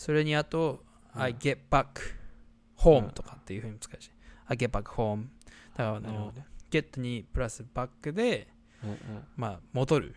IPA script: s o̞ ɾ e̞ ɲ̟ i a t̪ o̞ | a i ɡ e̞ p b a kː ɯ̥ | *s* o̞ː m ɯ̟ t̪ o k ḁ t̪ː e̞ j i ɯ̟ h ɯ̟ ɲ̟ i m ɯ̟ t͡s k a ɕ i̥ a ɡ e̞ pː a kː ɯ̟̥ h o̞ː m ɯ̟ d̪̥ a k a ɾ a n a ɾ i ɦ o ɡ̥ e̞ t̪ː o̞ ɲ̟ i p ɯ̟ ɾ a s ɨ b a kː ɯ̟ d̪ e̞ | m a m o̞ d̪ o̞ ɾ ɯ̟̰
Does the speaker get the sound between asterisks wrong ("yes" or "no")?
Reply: yes